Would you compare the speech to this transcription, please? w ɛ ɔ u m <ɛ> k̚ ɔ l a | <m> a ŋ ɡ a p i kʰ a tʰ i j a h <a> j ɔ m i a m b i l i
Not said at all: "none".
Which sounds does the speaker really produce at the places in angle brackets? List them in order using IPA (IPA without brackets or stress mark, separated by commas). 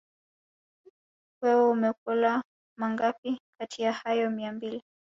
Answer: ɛ, m, a